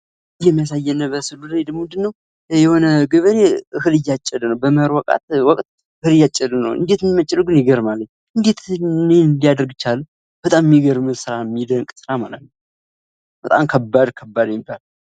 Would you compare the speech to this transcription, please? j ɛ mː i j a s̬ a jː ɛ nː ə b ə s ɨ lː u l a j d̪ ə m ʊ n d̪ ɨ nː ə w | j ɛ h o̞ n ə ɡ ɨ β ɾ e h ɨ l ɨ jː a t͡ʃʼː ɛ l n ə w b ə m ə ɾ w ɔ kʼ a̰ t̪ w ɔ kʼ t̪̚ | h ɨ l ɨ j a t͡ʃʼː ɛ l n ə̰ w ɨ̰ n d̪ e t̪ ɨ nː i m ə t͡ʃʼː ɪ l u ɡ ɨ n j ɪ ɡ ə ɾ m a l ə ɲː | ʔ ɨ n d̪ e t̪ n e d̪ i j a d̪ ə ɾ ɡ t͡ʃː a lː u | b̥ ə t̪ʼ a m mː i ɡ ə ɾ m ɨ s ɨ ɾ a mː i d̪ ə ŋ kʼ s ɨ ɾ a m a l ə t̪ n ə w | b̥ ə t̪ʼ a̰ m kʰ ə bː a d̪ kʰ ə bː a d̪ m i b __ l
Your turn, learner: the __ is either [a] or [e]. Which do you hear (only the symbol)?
a